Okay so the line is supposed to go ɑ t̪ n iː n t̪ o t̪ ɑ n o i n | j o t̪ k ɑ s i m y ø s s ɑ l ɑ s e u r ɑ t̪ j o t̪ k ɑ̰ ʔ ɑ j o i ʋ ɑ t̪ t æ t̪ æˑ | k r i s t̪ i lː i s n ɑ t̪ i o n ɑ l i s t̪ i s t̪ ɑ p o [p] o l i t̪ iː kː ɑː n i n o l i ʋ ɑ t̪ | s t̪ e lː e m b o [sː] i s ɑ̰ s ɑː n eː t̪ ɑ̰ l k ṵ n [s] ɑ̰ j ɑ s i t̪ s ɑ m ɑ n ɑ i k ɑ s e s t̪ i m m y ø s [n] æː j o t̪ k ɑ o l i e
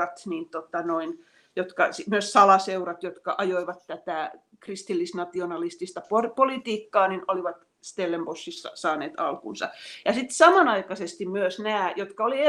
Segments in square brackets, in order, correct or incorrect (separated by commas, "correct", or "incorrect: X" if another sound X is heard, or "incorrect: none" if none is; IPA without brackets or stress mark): correct, correct, correct, correct